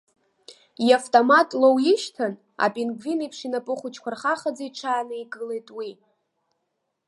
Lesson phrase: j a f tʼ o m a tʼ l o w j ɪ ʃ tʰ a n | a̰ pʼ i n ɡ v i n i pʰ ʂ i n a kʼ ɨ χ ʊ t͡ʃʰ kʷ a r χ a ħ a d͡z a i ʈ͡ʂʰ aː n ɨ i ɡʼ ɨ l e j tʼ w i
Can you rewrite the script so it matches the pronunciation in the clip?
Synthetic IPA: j a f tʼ o m a tʼ l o w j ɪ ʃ tʰ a n | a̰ pʼ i n ɡ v i n i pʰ ʂ i n a pʼ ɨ χ ʊ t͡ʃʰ kʷ a r χ a χ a d͡z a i ʈ͡ʂʰ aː n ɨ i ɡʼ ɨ l e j tʼ w i